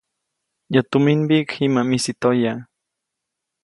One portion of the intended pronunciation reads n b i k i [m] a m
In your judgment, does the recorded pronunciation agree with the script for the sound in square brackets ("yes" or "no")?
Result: yes